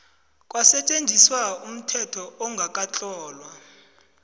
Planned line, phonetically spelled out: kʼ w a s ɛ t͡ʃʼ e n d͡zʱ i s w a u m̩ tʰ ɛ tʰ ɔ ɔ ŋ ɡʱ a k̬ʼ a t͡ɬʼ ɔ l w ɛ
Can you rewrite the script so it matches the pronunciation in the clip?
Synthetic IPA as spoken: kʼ w a s ɛ t͡ʃʼ e n d͡zʱ i s w a u m̩ tʰ ɛ tʰ ɔ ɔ ŋ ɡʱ a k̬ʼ a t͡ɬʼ ɔː l w a